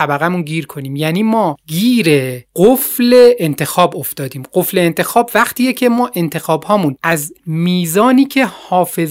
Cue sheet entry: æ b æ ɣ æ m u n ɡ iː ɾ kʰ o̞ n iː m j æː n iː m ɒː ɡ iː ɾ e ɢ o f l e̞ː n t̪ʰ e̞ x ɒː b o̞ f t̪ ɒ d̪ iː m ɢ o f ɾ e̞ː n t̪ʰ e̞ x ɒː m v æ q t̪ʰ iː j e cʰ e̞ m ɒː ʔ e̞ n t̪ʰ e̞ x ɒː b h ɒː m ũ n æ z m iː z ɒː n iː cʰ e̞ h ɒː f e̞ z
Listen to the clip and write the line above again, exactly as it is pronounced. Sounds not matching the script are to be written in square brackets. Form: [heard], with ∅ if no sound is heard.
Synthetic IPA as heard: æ b æ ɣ æ m u n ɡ iː ɾ kʰ o̞ n iː m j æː n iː m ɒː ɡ iː ɾ e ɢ o f l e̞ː n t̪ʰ e̞ x ɒː b o̞ f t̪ [ɒː] d̪ iː m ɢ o f [l] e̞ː n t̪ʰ e̞ x ɒː [b] v æ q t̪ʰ iː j e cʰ e̞ m ɒː ʔ e̞ n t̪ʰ e̞ x ɒː b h ɒː m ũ n æ z m iː z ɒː n iː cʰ e̞ h ɒː f e̞ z